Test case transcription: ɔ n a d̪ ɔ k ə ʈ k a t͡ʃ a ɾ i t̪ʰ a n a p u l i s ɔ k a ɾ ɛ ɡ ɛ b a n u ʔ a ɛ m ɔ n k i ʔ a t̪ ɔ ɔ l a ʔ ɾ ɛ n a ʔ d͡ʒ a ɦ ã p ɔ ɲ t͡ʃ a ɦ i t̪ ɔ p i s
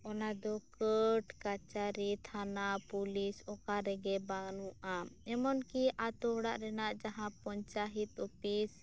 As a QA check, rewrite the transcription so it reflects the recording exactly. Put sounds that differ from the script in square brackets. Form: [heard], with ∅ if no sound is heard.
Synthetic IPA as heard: ɔ n a d̪ ɔ k ə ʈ k a t͡ʃ a ɾ i t̪ʰ a n a p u l i s ɔ k a ɾ ɛ ɡ ɛ b a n u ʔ a ɛ m ɔ n k i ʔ a t̪ ɔ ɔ [ɽ] a ʔ ɾ ɛ n a ʔ d͡ʒ a ɦ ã p ɔ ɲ t͡ʃ a ɦ i t̪ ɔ p i s